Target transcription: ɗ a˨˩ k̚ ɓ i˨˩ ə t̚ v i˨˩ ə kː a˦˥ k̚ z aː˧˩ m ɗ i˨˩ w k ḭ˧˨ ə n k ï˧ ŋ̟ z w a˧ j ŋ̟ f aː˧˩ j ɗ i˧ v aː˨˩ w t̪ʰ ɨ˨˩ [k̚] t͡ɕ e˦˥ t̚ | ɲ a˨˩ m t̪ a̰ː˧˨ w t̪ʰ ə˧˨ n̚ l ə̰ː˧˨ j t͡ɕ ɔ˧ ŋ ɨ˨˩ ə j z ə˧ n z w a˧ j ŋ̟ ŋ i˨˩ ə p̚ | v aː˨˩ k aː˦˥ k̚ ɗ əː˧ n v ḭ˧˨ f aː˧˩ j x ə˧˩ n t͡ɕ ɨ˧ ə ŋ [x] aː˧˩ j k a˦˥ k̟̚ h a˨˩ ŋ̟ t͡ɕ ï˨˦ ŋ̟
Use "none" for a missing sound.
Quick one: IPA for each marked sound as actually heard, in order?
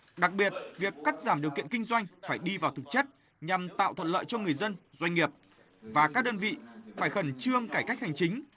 k̚, k

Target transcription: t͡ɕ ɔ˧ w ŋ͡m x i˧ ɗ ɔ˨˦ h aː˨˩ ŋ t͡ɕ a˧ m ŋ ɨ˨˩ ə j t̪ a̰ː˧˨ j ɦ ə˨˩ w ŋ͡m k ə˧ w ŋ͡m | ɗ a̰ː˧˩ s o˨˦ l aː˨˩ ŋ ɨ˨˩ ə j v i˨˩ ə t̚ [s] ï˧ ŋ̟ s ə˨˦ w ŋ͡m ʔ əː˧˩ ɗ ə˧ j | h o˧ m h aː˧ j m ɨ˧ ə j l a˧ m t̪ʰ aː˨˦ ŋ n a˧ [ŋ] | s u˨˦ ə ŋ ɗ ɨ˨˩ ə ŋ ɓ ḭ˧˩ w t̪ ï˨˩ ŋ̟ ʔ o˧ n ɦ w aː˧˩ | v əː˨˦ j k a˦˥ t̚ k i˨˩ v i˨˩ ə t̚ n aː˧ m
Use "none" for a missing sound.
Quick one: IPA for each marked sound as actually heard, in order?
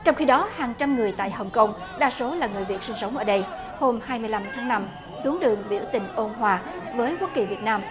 s, m

